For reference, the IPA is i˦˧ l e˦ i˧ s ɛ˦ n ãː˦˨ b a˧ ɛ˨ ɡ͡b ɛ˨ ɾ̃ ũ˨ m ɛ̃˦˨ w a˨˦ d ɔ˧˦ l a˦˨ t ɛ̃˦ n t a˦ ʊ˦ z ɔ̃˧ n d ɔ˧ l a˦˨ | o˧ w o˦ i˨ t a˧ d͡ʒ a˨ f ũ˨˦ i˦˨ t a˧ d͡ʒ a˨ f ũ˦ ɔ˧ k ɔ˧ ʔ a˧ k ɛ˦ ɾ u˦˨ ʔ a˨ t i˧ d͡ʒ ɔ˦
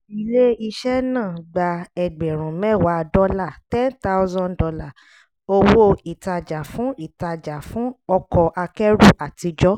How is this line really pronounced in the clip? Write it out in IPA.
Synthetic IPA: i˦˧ l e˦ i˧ ʃ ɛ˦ n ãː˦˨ ɡ͡b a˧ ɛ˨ ɡ͡b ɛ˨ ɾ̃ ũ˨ m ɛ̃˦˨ w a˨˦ d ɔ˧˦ l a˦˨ t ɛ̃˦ n t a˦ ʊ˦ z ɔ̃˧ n d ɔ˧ l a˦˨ | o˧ w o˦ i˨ t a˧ d͡ʒ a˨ f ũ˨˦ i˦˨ t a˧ d͡ʒ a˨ f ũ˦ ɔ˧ k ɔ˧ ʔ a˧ k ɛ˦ ɾ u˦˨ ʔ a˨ t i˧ d͡ʒ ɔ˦